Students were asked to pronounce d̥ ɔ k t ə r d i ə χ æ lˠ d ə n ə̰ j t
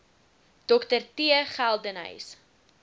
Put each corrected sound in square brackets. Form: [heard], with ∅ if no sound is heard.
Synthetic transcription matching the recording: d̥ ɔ k t ə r [t] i ə χ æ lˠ d ə n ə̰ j [s]